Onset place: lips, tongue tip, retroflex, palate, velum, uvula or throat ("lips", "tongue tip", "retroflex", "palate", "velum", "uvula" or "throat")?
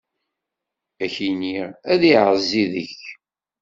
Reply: palate